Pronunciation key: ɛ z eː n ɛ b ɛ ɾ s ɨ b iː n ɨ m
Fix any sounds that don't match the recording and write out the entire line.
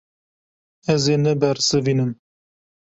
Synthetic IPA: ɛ z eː n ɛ b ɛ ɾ s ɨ v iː n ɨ m